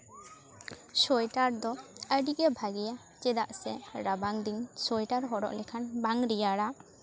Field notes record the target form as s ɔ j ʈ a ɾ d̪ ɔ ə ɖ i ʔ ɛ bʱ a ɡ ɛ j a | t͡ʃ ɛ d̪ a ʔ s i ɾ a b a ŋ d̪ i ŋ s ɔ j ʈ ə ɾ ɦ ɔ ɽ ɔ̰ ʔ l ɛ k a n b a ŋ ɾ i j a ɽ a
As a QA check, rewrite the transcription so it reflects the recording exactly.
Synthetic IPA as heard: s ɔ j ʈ a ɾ d̪ ɔ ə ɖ i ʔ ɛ bʱ a ɡ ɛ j a | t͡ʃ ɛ d̪ a ʔ s ɛ ɾ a b a ŋ d̪ i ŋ s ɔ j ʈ a ɾ ɦ ɔ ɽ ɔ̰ ʔ l ɛ kʰ a n b a ŋ ɾ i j a ɽ a